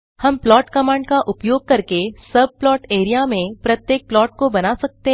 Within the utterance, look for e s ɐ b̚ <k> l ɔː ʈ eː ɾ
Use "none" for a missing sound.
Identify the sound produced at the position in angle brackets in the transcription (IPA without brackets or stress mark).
p